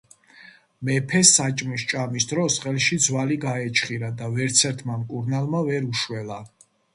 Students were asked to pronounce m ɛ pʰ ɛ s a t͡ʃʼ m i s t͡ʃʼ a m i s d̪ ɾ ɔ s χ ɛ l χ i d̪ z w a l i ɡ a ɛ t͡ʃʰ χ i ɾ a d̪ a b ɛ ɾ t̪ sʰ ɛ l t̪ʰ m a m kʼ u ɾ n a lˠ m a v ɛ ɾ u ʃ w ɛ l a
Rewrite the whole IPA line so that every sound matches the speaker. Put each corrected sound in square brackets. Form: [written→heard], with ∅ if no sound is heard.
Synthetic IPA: m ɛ pʰ ɛ s a t͡ʃʼ m i s t͡ʃʼ a m i s d̪ ɾ ɔ s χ ɛ l [χ→ʃ] i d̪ z w a l i ɡ a ɛ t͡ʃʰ χ i ɾ a d̪ a [b→v] ɛ ɾ t̪ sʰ ɛ [l→ɾ] t̪ʰ m a m kʼ u ɾ n a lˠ m a v ɛ ɾ u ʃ w ɛ l a